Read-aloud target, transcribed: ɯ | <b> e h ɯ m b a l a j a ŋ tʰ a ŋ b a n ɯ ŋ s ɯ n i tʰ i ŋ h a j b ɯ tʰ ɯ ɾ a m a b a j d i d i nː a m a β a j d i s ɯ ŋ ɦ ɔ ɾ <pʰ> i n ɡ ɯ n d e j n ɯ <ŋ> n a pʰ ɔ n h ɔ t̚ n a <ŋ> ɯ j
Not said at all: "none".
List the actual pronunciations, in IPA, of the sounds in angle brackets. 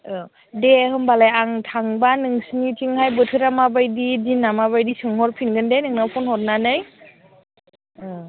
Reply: d, pʰ, ŋ, n

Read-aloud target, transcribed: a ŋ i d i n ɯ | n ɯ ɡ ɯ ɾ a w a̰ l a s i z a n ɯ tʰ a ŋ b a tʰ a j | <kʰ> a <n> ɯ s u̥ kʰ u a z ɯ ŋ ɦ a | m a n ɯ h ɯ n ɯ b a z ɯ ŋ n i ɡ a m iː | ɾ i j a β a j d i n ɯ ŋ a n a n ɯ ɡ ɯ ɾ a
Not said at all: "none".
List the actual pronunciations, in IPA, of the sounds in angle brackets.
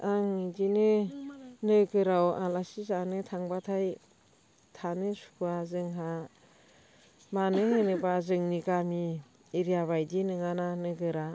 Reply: tʰ, n

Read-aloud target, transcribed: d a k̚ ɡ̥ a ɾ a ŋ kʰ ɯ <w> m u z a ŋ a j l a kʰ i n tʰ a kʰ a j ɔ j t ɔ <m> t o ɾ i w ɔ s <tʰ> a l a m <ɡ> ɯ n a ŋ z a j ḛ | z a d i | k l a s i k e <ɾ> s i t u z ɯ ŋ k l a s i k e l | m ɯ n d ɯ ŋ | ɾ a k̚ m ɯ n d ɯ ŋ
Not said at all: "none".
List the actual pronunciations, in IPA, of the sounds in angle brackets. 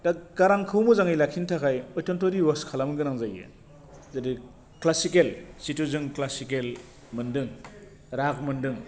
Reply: w, n, kʰ, ɡ, l

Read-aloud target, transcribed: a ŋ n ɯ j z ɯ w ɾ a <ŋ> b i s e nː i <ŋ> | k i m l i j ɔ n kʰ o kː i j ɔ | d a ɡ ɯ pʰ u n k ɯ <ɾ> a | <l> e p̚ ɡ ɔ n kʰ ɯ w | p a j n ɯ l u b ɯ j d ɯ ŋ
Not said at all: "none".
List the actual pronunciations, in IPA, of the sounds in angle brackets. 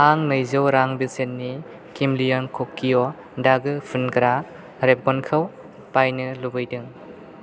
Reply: ŋ, none, ɾ, ɾ

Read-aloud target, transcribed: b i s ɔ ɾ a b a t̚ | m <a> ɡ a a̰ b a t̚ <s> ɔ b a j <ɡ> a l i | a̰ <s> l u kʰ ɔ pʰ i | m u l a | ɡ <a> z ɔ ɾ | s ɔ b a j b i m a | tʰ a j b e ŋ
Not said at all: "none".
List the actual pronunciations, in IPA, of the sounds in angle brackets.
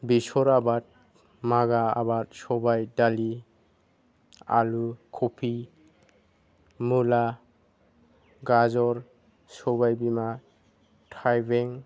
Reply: a, s, d, none, a

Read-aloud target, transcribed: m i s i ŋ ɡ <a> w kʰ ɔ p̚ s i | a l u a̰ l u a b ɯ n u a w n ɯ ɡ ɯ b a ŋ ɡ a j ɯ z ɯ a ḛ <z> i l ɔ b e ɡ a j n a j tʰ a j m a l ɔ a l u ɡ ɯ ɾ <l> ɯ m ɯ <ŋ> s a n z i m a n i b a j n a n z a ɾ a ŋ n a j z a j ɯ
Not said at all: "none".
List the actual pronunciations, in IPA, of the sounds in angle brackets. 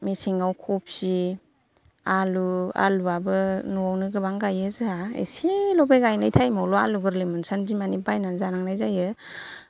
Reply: a, s, l, n

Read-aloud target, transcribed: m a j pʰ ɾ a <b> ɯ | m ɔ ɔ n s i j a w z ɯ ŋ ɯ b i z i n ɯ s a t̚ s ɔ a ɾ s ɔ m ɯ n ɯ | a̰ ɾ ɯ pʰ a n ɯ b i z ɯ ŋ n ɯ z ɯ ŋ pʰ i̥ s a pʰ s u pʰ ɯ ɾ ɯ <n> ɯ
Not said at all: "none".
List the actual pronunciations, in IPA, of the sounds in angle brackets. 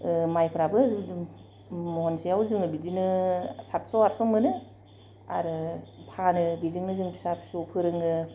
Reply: b, ŋ

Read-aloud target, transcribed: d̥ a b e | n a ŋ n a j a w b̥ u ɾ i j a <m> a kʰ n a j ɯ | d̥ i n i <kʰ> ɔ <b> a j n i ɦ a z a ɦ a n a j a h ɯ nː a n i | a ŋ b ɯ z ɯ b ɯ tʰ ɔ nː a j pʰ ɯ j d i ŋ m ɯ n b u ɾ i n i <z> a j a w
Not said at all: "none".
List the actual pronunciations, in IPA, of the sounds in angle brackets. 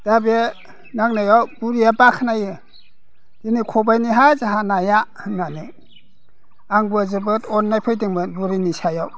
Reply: b, kʰ, b, s

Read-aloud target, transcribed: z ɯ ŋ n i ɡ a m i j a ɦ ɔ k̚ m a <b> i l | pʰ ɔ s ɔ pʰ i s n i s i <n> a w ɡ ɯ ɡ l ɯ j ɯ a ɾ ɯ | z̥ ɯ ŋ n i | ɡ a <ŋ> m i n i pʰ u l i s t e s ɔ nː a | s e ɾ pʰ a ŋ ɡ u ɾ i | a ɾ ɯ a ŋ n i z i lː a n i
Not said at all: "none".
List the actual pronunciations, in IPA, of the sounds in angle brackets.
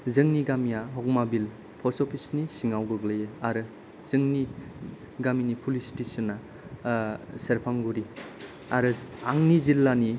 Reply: b, ŋ, none

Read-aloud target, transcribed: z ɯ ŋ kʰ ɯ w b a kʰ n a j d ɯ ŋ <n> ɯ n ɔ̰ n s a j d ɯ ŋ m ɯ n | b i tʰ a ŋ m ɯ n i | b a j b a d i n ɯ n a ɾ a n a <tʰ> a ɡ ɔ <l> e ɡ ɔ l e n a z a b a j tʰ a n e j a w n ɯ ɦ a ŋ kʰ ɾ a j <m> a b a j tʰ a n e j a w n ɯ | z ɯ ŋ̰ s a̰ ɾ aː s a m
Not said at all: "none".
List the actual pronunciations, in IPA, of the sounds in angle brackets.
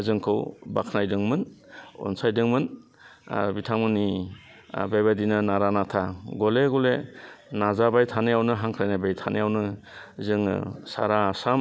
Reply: m, tʰ, l, n

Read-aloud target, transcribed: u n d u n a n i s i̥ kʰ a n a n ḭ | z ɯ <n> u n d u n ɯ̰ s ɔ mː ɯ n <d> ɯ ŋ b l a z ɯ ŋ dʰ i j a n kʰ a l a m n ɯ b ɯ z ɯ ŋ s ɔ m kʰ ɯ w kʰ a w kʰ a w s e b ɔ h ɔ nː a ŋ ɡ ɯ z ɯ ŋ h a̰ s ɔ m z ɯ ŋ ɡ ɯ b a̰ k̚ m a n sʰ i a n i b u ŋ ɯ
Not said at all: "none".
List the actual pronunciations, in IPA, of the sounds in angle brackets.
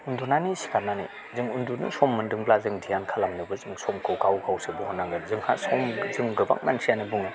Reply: ŋ, d

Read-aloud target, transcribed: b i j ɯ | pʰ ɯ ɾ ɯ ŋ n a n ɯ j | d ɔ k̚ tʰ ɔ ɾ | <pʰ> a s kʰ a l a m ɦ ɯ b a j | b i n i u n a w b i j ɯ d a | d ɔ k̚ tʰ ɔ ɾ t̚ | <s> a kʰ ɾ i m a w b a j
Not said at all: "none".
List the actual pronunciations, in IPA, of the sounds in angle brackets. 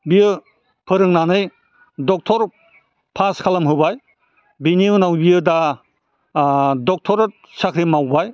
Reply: pʰ, s

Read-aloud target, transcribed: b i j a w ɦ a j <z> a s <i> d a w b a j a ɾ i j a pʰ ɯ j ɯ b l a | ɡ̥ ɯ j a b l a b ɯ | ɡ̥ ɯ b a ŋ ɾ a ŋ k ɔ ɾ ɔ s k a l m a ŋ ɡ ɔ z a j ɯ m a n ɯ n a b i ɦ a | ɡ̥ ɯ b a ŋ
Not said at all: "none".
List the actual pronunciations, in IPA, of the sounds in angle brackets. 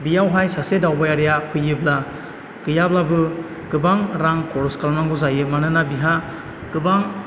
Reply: s, e

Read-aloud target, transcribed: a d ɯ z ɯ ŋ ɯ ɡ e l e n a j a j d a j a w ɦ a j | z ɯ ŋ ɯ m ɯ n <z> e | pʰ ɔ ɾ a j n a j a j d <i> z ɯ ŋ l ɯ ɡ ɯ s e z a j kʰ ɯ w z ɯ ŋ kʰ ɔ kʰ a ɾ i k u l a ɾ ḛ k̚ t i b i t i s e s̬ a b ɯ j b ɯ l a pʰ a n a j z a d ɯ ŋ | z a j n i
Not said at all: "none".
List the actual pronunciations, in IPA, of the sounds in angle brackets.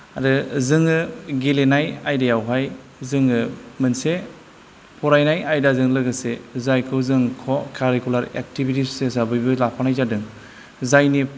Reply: s, a

